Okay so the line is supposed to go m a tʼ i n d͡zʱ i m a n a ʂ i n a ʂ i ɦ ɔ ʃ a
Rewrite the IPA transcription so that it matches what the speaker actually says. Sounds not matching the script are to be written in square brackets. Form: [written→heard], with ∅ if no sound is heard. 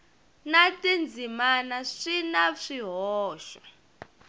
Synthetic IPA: [m→n] a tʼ i n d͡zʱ i m a n a ʂ i n a ʂ i ɦ [ɔ→ɔː] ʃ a